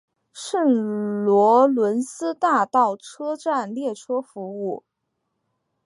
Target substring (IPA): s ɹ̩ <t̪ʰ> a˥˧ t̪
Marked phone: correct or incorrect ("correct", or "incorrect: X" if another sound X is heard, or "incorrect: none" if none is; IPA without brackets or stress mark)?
incorrect: t̪